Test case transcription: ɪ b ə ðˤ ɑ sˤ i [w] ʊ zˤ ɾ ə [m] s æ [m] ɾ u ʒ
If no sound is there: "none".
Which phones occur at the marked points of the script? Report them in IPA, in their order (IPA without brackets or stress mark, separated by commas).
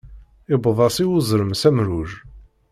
w, m, m